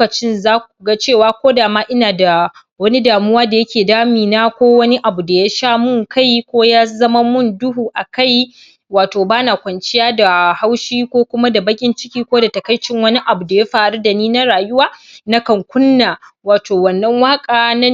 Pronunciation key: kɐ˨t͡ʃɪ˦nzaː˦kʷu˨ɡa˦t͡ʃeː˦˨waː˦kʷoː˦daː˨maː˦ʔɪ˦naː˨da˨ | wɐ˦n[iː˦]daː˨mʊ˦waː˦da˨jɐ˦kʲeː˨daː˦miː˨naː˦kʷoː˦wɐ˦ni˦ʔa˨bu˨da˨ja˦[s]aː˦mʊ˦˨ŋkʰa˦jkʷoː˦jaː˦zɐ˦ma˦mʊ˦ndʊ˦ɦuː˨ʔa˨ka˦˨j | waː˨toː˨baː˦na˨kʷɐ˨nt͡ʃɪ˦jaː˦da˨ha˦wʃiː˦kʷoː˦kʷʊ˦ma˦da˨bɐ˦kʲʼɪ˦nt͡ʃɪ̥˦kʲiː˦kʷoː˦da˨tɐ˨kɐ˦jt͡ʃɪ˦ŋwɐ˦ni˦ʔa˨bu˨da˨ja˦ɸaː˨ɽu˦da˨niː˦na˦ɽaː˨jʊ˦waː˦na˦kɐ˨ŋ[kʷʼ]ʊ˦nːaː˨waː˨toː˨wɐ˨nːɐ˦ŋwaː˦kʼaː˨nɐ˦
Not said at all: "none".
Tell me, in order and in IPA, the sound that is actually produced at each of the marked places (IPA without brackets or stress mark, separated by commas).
i˦, ʃ, kʷ